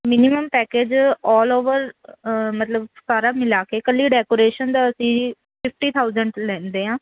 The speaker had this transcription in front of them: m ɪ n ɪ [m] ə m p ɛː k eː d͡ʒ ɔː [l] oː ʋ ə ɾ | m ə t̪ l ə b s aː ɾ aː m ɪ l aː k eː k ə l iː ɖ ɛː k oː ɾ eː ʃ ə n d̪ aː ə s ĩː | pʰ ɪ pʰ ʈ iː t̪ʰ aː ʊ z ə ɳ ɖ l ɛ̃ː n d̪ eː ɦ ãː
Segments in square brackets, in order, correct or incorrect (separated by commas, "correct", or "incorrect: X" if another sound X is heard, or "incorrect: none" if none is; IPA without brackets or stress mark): correct, correct